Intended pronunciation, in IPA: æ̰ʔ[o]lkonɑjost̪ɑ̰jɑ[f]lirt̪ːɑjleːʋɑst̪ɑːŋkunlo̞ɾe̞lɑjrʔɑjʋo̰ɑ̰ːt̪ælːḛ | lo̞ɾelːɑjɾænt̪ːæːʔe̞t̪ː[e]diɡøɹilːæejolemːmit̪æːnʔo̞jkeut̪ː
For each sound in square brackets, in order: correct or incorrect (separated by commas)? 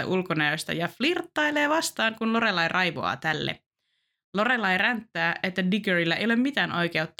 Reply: incorrect, correct, incorrect